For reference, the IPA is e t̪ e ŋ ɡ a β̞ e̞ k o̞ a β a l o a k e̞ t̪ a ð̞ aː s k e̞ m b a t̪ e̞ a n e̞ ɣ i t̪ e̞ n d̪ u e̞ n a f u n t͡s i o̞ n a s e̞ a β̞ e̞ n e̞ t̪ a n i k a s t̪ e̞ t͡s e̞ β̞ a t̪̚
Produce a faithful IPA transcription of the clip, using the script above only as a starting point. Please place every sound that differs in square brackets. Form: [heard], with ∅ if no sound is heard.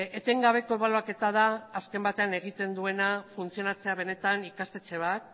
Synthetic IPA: e t̪ e ŋ ɡ a β̞ e̞ k o̞ [e] β a l o a k e̞ t̪ a ð̞ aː s k e̞ m b a t̪ e̞ a n e̞ ɣ i t̪ e̞ n d̪ u e̞ n a f u n t͡s i o̞ n a [t͡s] e̞ a β̞ e̞ n e̞ t̪ a n i k a s t̪ e̞ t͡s e̞ β̞ a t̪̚